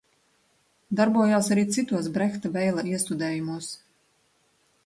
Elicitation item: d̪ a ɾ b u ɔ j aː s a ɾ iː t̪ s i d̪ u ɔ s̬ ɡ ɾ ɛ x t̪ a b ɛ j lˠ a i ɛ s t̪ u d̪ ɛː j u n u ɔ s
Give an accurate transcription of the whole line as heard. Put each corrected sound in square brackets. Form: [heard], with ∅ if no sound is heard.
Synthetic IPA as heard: d̪ a ɾ b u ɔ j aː s a ɾ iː t̪ s i [t̪] u ɔ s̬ [b] ɾ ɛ x t̪ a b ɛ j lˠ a i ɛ s t̪ u d̪ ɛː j u [m] u ɔ s